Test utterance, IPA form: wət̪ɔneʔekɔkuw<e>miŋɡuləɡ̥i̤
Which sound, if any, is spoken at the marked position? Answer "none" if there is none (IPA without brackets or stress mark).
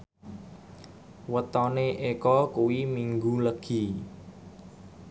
i